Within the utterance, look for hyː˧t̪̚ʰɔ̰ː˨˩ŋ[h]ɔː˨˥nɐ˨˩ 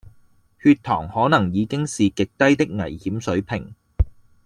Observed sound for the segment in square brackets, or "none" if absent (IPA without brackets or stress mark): h